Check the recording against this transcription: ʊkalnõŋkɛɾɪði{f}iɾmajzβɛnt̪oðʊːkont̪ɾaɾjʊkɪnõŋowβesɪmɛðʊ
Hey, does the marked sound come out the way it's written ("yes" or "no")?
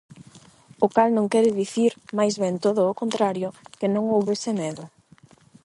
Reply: no